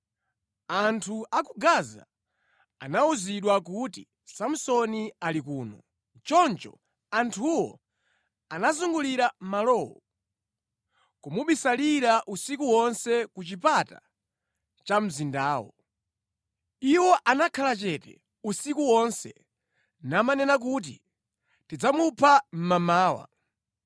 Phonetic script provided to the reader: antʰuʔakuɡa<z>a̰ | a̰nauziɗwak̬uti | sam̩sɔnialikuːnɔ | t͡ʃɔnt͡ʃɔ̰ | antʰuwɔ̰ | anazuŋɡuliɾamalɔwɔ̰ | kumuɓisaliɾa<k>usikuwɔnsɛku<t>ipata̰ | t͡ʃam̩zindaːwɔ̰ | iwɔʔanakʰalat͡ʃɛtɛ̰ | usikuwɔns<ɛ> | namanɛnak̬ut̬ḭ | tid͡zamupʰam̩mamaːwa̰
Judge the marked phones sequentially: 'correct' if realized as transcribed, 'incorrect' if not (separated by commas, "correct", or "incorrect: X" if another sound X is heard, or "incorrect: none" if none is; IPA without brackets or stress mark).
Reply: correct, incorrect: ʔ, incorrect: t͡ʃ, correct